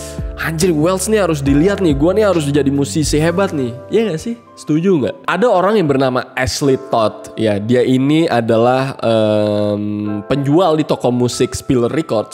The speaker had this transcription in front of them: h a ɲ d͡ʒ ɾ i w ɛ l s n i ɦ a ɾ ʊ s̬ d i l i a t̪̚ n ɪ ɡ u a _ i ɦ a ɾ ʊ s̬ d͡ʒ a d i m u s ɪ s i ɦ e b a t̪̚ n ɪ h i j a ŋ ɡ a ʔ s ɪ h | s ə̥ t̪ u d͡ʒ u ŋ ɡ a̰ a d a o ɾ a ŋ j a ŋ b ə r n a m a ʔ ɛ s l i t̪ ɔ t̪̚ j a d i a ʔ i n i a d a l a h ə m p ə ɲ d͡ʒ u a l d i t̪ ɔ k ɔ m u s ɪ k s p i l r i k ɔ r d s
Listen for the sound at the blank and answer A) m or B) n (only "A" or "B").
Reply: B